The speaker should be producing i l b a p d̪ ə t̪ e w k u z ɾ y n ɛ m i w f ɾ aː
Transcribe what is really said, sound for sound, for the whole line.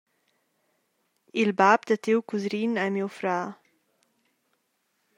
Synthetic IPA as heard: i l b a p d̪ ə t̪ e w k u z ɾ i n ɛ m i w f ɾ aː